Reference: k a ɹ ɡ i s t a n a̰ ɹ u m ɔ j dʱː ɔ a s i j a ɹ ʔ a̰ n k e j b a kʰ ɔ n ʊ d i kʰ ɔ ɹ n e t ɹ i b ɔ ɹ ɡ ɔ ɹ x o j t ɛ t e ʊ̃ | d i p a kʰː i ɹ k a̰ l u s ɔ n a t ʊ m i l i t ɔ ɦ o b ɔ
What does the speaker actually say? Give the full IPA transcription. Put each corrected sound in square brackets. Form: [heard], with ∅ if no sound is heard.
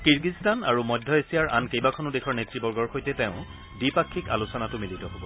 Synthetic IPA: k [i] ɹ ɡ i s t a n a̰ ɹ u m ɔ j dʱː ɔ [e] s i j a ɹ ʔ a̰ n k e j b a kʰ ɔ n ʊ d [e] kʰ ɔ ɹ n e t ɹ i b ɔ ɹ ɡ ɔ ɹ x o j t ɛ t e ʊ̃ | d i p a kʰː i [∅] k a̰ l u s ɔ n a t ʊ m i l i t ɔ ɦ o b ɔ